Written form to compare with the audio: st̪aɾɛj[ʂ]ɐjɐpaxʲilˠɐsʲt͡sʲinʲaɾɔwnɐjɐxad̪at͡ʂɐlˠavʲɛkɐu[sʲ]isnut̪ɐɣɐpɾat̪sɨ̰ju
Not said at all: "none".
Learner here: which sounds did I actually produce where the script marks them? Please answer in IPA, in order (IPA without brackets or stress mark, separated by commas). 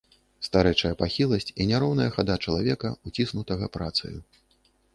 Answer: t͡ʂ, t͡sʲ